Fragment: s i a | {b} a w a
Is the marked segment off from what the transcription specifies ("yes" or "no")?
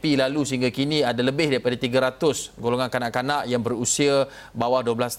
no